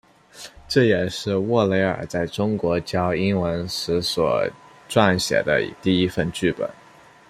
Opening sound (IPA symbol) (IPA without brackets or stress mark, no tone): ʈ͡ʂ